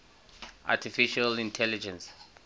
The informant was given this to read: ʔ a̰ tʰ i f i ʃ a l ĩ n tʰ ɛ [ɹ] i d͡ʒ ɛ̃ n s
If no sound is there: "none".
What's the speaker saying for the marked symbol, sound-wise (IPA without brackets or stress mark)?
l